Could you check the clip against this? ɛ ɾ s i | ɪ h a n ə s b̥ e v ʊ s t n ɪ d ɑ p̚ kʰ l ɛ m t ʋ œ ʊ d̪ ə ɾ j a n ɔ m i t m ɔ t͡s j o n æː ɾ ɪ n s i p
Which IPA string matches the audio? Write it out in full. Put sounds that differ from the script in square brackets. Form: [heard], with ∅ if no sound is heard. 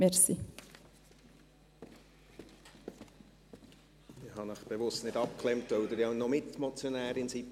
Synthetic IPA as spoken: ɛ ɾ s i | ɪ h [ɑ] n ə [χ] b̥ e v ʊ s t n ɪ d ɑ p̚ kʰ l ɛ m t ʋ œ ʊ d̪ ə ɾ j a n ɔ m [ɪ] t m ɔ t͡s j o n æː ɾ ɪ n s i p